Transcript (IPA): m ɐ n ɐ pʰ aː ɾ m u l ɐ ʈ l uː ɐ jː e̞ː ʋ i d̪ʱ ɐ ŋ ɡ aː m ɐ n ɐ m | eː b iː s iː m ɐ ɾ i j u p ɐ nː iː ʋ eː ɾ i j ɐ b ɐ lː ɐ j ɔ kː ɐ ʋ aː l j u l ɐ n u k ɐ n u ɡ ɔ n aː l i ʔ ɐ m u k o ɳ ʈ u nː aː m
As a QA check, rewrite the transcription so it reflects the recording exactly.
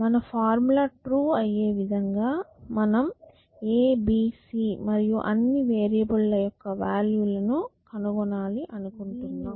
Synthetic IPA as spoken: m ɐ n ɐ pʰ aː ɾ m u l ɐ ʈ ɾ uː ɐ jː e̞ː ʋ i d̪ʱ ɐ ŋ ɡ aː m ɐ n ɐ m | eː b iː s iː m ɐ ɾ i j u ʔ ɐ nː i ʋ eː ɾ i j ɐ b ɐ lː ɐ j ɔ kː ɐ ʋ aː l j u l ɐ n u k ɐ n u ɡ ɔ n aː l i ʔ ɐ n u k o ɳ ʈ u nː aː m